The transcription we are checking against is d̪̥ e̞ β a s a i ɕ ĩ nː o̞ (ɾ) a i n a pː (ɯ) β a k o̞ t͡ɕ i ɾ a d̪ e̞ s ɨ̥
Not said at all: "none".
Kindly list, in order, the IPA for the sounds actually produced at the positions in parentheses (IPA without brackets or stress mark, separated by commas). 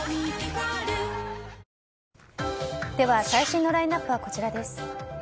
ɾ, ɯ